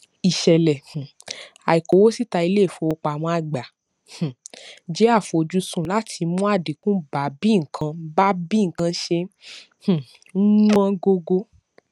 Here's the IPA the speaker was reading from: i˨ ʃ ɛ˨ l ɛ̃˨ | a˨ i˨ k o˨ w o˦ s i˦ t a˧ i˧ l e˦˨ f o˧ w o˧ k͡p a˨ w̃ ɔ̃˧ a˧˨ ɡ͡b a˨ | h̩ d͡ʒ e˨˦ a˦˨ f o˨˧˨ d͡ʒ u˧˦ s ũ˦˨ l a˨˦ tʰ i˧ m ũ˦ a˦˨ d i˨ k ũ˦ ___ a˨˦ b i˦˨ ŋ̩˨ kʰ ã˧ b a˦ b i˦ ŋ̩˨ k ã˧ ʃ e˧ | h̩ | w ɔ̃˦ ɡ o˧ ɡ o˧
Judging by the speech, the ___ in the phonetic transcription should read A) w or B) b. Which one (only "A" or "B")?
B